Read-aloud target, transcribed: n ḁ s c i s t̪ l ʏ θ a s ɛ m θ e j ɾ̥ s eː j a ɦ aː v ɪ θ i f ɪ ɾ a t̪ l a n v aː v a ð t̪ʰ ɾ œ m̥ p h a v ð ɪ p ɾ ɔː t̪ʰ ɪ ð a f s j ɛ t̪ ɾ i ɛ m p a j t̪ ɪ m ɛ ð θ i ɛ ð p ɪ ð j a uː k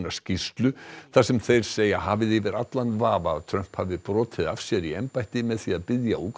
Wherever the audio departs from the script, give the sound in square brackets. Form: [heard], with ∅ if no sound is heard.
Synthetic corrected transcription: n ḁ s c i s t̪ l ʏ θ a s ɛ m θ e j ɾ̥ s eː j a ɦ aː v ɪ [ð] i [v] ɪ ɾ a t̪ l a n v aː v a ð t̪ʰ ɾ œ m̥ p h a v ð ɪ p ɾ ɔː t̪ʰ ɪ ð a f s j ɛ [∅] ɾ i ɛ m p a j t̪ ɪ m ɛ ð θ i [a] ð p ɪ ð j a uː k